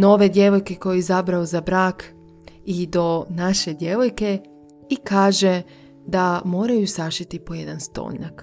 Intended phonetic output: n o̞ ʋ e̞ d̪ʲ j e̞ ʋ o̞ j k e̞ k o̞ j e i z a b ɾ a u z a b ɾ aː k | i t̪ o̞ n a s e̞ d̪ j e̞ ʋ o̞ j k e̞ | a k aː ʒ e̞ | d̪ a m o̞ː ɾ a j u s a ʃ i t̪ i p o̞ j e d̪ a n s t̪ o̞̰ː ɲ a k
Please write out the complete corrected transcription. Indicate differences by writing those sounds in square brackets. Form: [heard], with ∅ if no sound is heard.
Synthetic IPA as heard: n o̞ ʋ e̞ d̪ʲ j e̞ ʋ o̞ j k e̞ k o̞ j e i z a b ɾ a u z a b ɾ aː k | i [d̪] o̞ n a [ʃ] e̞ d̪ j e̞ ʋ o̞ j k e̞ | [i] k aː ʒ e̞ | d̪ a m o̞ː ɾ a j u s a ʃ i t̪ i p o̞ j e d̪ a n s t̪ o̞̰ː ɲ a k